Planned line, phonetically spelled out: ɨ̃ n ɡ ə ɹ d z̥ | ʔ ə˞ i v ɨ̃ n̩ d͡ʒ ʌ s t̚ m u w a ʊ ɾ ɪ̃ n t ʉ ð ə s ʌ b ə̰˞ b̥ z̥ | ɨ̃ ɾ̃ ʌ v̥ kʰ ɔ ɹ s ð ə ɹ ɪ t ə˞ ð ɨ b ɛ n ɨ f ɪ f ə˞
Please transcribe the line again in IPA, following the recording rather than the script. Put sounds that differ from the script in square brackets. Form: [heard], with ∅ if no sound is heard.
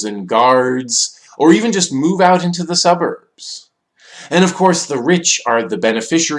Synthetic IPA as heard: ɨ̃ n ɡ [ɑ] ɹ d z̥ | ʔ ə˞ i v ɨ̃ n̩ d͡ʒ ʌ s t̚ m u [v] a ʊ ɾ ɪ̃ n t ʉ ð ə s ʌ b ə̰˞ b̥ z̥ | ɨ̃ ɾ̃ ʌ v̥ kʰ ɔ ɹ s ð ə ɹ ɪ [t͡ʃ] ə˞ ð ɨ b ɛ n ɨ f ɪ [ʃ] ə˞